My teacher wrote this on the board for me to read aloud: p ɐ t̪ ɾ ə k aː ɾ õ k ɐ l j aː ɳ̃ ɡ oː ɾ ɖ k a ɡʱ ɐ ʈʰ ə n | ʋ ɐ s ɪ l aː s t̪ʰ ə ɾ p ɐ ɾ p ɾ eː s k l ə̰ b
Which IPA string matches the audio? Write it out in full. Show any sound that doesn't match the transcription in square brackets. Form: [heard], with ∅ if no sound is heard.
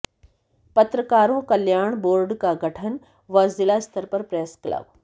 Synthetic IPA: p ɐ t̪ ɾ ə k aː ɾ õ k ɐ l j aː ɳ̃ [b] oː ɾ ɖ k a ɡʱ ɐ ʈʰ ə n | ʋ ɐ [z] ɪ l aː s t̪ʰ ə ɾ p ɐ ɾ p ɾ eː s k l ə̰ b